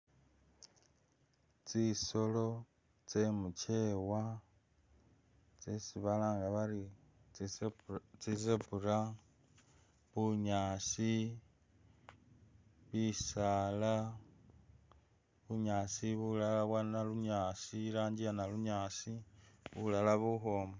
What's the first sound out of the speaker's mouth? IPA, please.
t͡s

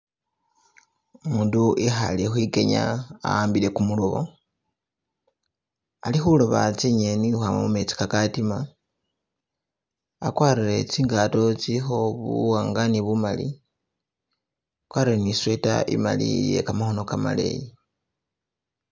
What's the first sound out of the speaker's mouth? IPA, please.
m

